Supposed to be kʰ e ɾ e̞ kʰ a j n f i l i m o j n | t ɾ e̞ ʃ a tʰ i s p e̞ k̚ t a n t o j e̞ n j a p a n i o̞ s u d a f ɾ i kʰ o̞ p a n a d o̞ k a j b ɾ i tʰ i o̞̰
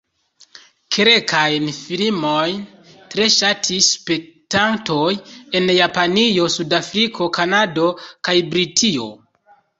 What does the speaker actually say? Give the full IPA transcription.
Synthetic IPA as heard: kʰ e ɾ e̞ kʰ a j n f i l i m o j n | t ɾ e̞ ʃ a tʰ i s p e̞ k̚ t a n t o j e̞ n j a p a n i o̞ s u d a f ɾ i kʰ o̞ k a n a d o̞ k a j b ɾ i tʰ i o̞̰